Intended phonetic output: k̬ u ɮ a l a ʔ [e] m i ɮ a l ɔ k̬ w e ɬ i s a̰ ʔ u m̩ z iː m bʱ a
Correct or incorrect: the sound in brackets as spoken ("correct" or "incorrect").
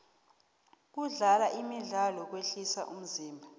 incorrect